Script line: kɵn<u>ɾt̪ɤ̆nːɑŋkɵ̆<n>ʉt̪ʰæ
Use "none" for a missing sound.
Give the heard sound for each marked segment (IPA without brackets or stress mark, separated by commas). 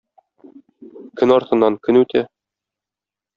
ɒ, n